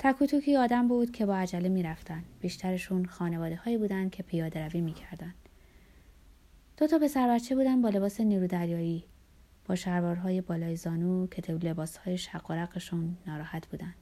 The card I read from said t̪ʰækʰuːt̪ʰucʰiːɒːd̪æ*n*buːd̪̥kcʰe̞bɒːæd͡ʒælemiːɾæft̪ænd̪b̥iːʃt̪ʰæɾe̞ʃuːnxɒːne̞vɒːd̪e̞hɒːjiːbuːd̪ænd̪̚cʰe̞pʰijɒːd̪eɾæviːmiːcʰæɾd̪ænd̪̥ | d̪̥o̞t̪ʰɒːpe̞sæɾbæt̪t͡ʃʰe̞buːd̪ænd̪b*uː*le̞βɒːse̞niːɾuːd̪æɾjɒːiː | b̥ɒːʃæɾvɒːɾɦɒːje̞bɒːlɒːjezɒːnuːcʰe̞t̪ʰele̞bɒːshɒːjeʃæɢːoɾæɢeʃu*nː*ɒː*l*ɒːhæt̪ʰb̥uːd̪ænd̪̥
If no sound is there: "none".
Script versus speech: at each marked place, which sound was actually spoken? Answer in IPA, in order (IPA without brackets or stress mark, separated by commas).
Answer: m, ɒː, nː, ɾ